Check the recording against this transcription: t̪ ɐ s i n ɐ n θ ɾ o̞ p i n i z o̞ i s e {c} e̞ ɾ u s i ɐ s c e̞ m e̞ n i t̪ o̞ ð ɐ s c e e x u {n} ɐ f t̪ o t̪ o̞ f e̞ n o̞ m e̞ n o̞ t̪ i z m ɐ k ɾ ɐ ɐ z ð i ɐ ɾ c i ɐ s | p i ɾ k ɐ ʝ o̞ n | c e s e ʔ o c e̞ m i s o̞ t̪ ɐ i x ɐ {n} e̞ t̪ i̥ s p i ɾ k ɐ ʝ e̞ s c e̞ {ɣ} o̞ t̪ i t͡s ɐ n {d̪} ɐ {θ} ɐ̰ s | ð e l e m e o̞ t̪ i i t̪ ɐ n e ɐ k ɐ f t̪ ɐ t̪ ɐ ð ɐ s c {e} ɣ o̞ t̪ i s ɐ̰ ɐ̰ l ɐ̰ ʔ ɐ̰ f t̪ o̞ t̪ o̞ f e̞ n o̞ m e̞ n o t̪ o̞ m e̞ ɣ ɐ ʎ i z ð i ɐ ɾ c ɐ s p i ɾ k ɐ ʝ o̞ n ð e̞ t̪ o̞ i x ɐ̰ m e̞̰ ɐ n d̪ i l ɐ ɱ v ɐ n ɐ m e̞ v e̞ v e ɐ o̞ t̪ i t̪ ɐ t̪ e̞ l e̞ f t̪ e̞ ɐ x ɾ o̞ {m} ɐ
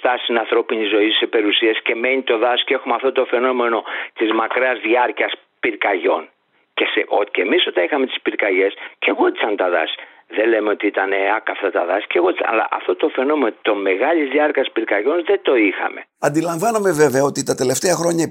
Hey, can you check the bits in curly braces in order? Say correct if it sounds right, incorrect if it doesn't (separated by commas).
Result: incorrect, incorrect, incorrect, correct, incorrect, incorrect, correct, incorrect